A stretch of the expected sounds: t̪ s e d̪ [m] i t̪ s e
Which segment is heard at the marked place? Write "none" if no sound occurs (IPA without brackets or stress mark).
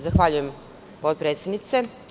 n